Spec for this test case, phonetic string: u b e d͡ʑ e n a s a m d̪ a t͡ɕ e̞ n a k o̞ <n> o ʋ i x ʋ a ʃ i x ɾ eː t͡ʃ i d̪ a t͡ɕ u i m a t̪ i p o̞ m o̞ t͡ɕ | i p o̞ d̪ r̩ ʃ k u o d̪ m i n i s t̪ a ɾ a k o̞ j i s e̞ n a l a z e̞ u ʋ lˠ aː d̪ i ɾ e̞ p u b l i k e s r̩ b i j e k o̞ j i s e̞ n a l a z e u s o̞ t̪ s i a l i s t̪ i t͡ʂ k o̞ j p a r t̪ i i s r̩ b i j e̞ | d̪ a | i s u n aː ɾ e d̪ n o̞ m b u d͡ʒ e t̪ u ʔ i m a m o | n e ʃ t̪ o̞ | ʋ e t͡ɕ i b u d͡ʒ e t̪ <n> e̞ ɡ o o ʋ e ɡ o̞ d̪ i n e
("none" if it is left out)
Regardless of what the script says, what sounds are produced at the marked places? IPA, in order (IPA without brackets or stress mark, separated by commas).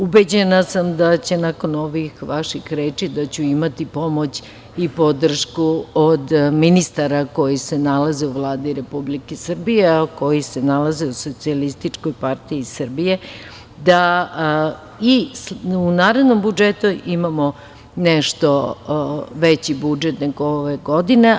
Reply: n, n